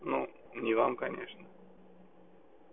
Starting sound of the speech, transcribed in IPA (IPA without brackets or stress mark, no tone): n